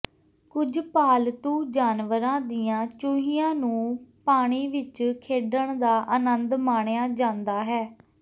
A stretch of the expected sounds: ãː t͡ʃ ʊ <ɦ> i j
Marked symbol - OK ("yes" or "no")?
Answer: yes